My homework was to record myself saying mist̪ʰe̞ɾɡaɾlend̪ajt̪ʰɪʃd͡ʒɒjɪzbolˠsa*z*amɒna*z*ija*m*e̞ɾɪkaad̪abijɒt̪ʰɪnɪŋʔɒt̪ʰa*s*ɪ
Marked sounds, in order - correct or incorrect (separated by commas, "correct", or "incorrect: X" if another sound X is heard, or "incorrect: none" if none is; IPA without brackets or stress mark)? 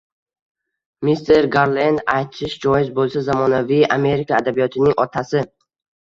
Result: correct, incorrect: v, correct, correct